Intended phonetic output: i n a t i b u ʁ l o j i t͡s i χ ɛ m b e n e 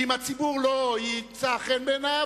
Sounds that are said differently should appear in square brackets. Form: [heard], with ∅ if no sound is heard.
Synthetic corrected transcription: i [m] a [t͡s] i b u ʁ l o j i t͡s [a] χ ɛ [n] b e n [a]